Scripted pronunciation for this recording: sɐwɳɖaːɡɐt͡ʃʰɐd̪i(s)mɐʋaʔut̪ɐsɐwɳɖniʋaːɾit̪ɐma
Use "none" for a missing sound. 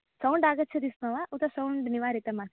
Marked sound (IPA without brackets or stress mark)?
s